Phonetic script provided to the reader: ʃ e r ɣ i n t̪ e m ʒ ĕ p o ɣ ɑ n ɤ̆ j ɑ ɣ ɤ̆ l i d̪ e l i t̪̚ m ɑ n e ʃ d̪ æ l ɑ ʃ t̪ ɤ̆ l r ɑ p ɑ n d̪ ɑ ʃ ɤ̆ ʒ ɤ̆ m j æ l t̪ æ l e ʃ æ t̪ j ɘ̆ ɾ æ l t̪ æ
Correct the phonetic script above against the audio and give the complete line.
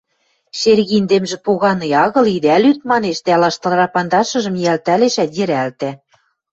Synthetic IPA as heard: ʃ e r ɣ i n d̪ e m ʒ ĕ p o ɣ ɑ n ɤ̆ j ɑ ɣ ɤ̆ l i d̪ æ l y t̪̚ m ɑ n e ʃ d̪ æ l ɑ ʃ t̪ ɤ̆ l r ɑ p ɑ n d̪ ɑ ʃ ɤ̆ ʒ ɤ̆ m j æ l t̪ æ l e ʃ æ t̪ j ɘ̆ ɾ æ l t̪ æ